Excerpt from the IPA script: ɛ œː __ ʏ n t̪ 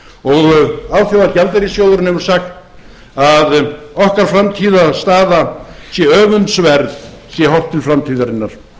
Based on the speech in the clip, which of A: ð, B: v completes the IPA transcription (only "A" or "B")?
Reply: B